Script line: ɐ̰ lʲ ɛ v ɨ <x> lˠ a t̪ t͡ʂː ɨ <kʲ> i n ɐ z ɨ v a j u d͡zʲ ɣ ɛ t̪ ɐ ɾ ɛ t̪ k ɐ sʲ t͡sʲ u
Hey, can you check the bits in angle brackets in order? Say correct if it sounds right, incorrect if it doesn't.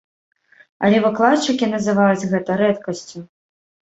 incorrect, correct

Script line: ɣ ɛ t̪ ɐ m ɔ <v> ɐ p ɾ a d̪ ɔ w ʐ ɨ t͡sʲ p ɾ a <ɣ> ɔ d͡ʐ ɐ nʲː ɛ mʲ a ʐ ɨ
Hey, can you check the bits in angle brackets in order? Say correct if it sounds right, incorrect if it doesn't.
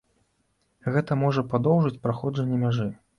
incorrect, incorrect

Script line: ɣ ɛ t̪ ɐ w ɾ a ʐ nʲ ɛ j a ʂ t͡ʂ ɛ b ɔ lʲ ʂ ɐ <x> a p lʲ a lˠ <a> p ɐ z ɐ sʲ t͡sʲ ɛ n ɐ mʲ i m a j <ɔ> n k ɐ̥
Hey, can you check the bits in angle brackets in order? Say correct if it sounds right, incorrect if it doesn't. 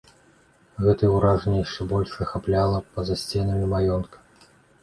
correct, incorrect, correct

